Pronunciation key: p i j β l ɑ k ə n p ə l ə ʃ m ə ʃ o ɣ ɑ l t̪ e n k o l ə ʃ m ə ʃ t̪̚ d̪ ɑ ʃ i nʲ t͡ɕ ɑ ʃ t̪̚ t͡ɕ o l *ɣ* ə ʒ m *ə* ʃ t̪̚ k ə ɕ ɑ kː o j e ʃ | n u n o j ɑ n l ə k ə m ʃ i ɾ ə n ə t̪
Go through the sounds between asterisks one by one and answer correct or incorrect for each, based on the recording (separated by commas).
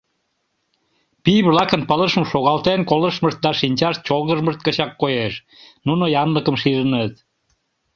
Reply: correct, correct